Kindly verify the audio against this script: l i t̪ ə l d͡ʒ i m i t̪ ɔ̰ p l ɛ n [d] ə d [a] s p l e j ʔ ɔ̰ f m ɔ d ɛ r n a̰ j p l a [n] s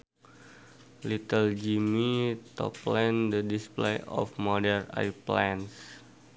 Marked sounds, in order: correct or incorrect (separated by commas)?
correct, incorrect, correct